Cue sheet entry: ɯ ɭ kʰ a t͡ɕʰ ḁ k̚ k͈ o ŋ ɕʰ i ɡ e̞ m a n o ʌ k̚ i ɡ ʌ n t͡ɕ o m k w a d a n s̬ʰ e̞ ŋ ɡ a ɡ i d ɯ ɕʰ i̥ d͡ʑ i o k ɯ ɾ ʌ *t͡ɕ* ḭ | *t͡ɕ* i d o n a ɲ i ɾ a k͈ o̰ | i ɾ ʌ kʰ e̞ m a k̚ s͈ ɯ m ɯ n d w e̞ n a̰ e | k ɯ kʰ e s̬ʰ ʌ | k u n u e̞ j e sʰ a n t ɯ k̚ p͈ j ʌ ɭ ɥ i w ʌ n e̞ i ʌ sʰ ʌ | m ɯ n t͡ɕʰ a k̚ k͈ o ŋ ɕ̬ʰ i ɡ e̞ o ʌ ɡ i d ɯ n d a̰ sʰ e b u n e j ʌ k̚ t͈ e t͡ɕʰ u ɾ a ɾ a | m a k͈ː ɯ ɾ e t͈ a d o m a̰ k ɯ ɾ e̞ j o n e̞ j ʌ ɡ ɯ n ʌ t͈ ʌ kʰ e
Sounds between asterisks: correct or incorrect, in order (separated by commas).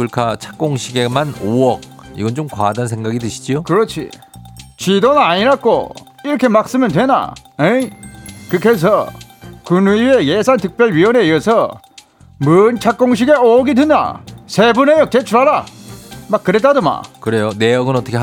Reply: incorrect, correct